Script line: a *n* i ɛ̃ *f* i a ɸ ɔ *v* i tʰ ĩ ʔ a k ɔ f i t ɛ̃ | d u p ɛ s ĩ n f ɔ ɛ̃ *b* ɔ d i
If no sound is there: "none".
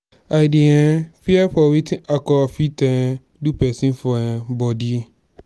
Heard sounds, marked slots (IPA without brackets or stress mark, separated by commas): d, f, w, b